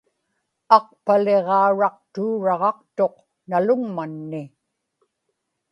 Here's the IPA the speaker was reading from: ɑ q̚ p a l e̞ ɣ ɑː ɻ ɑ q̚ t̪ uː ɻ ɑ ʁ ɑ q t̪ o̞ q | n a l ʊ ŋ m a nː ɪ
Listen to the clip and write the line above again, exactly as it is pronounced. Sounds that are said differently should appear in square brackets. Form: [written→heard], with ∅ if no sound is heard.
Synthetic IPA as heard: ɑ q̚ p a l e̞ [ɣ→ʁ] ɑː ɻ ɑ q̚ t̪ uː ɻ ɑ ʁ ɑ q t̪ o̞ q | n a l ʊ ŋ m a nː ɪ